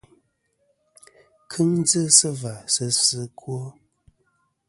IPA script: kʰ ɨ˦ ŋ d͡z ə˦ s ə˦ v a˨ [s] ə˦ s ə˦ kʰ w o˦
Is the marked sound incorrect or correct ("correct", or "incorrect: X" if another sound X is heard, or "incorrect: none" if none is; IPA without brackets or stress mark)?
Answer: correct